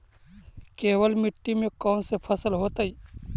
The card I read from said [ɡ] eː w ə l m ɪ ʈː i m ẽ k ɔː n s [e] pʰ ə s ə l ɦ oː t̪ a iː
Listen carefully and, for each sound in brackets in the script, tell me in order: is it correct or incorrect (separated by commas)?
incorrect, correct